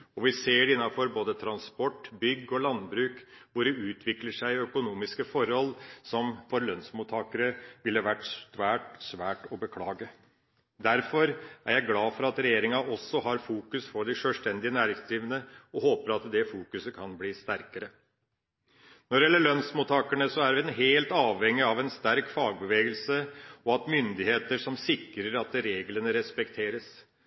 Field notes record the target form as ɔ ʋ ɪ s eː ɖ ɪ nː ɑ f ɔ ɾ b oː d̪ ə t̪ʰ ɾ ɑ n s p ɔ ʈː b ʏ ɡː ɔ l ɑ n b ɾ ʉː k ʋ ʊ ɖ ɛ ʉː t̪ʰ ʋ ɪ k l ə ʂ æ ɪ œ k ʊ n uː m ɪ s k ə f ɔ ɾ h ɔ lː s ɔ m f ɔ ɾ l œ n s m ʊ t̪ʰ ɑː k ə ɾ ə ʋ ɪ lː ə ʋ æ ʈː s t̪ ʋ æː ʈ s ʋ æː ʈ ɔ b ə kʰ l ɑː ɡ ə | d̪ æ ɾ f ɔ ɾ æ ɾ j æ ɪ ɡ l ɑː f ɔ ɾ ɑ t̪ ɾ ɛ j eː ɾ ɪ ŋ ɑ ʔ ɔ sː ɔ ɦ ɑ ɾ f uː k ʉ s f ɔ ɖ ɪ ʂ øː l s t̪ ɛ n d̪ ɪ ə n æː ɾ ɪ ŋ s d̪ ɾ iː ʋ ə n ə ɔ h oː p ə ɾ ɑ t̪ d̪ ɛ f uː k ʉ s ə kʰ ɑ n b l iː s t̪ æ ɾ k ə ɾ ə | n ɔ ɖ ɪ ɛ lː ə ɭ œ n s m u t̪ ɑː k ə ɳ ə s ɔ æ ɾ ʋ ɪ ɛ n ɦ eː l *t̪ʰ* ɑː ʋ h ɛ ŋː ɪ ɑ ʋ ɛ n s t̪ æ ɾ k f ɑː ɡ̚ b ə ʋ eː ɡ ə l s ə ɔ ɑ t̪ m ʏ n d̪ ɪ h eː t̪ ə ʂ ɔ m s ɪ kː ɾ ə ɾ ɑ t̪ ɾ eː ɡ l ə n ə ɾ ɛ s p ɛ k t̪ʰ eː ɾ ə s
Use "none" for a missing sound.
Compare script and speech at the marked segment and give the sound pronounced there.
t̪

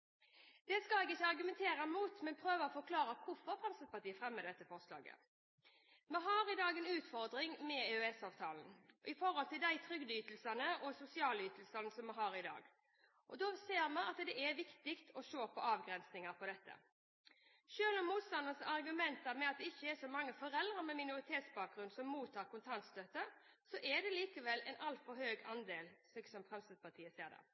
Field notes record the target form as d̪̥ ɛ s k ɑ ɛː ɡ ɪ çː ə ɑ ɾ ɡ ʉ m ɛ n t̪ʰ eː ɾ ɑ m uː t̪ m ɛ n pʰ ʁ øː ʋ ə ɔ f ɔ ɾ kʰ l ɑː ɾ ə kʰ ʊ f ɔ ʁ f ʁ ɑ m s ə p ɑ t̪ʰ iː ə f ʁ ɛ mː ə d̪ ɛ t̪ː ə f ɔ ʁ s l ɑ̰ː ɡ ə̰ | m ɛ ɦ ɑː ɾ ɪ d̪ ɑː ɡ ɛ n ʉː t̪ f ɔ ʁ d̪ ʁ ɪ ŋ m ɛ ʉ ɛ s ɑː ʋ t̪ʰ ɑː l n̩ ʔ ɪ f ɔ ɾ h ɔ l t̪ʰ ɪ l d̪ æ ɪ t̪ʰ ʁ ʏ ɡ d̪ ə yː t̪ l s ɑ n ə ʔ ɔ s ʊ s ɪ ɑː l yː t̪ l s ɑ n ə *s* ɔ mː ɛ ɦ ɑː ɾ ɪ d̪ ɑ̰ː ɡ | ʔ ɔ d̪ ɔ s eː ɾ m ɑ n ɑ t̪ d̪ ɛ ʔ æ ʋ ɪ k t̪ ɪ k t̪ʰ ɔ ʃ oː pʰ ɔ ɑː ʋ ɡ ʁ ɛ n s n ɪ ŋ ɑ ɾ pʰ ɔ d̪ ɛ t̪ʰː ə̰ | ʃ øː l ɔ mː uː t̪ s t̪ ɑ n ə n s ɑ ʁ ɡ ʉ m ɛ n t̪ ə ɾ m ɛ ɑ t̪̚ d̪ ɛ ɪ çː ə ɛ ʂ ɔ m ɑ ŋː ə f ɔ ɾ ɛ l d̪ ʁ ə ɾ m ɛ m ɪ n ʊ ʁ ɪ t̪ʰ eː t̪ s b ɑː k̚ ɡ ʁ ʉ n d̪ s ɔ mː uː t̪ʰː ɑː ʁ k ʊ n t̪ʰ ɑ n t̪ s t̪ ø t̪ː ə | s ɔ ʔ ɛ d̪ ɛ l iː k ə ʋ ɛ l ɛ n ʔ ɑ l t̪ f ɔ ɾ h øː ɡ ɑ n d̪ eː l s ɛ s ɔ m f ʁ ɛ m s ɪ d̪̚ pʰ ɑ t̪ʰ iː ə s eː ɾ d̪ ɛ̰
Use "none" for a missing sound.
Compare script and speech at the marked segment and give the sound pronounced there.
s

